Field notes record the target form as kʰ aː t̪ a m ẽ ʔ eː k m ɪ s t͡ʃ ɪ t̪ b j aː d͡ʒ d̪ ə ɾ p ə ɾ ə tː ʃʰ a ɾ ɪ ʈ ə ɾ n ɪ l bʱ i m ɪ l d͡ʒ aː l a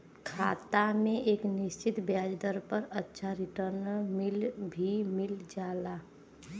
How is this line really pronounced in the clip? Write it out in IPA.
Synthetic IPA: kʰ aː t̪ a m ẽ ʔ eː k n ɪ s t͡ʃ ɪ t̪ b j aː d͡ʒ d̪ ə ɾ p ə ɾ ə tː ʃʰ a ɾ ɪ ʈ ə ɾ n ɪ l bʱ i m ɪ l d͡ʒ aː l a